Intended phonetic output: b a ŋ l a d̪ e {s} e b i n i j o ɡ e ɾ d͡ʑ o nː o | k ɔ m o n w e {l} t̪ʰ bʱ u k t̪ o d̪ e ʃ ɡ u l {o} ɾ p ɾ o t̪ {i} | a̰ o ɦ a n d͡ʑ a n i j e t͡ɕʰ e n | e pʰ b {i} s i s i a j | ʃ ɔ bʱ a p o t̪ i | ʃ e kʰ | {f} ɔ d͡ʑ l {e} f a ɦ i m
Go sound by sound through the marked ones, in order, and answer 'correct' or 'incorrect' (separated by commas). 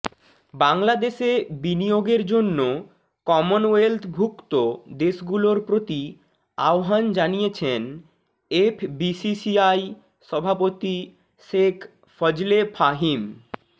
incorrect, correct, correct, correct, correct, correct, correct